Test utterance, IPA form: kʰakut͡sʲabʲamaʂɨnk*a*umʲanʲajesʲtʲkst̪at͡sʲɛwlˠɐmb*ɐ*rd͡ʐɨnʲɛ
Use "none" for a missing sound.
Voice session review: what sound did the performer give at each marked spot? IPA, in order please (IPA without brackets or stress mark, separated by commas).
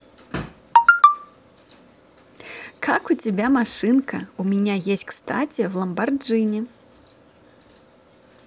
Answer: ɐ, a